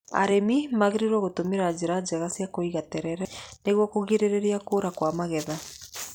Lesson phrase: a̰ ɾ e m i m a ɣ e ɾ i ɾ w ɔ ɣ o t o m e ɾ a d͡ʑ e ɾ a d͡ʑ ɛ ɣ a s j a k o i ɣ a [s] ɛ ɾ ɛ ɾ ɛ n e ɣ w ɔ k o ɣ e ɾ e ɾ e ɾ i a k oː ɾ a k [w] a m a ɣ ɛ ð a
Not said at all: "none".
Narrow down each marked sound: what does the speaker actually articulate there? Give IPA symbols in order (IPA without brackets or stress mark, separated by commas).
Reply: t, w